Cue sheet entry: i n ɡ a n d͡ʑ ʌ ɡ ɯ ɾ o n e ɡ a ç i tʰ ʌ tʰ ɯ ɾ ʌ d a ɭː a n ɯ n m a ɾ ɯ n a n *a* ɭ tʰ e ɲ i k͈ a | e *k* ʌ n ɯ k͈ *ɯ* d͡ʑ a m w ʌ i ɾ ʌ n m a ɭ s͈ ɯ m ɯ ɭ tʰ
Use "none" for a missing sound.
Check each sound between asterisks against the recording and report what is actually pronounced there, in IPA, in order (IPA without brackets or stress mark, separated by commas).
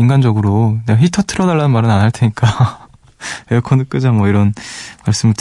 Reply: a, kʰ, ɯ